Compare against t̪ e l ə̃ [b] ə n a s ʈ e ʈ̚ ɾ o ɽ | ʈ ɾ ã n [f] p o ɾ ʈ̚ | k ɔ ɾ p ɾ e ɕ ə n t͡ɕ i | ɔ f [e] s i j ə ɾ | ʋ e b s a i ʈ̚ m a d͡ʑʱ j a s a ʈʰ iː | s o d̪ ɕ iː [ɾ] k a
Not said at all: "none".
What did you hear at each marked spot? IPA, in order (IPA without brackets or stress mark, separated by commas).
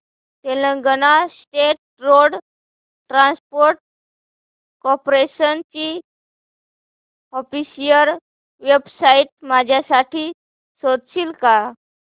ɡ, s, i, l